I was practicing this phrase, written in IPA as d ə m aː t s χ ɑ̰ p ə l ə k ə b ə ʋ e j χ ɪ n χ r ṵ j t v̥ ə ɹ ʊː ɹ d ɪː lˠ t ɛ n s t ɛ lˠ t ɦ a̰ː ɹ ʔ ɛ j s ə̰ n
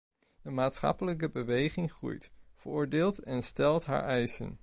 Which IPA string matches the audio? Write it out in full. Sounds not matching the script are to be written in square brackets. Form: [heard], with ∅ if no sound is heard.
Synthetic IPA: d ə m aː t s χ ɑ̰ p ə l ə k ə b ə ʋ e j χ ɪ [ŋ] χ r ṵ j t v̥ ə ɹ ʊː ɹ d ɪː lˠ t ɛ n s t ɛ lˠ t ɦ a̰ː ɹ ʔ ɛ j s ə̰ n

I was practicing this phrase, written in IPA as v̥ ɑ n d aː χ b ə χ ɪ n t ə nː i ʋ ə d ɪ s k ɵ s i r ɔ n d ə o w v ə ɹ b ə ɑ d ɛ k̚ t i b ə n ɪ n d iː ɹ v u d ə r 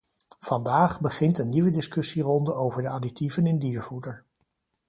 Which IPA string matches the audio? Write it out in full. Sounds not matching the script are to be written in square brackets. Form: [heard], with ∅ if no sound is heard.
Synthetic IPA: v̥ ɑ n d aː χ b ə χ ɪ n t ə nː i ʋ ə d ɪ s k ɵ s i r ɔ n d ə o w v ə ɹ [d] ə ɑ d [i] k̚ t i [v] ə n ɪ n d iː ɹ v u d ə [ɹ]

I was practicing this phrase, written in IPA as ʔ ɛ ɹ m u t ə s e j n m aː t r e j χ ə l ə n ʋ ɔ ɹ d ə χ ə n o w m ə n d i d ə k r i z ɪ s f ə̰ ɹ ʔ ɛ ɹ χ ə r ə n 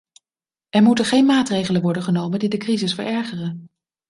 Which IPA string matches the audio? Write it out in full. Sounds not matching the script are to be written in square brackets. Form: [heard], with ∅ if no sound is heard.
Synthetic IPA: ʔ ɛ ɹ m u t ə [χ] e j n m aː t r e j χ ə l ə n ʋ ɔ ɹ d ə χ ə n o w m ə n d i d ə k r i z ɪ s f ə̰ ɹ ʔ ɛ ɹ χ ə r ə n

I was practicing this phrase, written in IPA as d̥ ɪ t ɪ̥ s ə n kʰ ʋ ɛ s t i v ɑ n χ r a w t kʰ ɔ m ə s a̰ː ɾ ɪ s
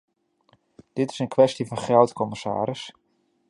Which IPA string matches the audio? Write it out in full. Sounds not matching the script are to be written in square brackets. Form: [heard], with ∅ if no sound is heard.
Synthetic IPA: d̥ ɪ t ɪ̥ s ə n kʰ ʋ ɛ s t i v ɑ n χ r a w t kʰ ɔ m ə s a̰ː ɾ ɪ s

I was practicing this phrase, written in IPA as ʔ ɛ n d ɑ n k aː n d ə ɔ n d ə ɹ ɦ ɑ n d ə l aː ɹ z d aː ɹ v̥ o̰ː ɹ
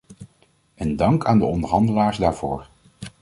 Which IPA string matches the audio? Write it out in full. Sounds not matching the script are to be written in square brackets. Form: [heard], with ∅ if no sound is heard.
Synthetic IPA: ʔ ɛ n d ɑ [ŋ] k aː n d ə ɔ n d ə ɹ ɦ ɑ n d ə l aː ɹ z d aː ɹ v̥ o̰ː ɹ

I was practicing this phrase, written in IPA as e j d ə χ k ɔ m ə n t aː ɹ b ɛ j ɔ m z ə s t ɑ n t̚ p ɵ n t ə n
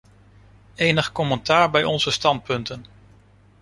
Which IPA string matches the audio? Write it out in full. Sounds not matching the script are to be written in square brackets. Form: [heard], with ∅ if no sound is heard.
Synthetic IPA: e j [n] ə χ k ɔ m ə n t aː ɹ b ɛ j ɔ [n] z ə s t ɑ n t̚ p ɵ n t ə n

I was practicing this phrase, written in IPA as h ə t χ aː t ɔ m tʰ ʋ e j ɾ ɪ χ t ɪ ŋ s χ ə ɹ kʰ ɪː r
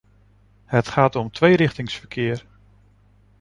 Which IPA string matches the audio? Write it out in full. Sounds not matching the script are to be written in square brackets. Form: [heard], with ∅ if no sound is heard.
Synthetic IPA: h ə t χ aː t ɔ m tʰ ʋ e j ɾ ɪ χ t ɪ ŋ s [f] ə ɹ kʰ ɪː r

